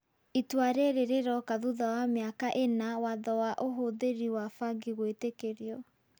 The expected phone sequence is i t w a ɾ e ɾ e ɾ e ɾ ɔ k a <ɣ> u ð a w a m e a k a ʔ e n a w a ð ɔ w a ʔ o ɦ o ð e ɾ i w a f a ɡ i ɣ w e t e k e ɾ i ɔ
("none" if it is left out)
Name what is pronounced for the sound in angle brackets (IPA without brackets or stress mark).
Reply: ð